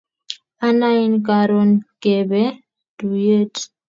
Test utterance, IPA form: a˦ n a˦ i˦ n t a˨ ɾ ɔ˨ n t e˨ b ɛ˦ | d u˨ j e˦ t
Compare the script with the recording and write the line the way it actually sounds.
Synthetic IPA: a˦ n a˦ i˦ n k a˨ ɾ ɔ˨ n k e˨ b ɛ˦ | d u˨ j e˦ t